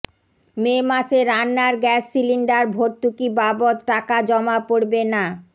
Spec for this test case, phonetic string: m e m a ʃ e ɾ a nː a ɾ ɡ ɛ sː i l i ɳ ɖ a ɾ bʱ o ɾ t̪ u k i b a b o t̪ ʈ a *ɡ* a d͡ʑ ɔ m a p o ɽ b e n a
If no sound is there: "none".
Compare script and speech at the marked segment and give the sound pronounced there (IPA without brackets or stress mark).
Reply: k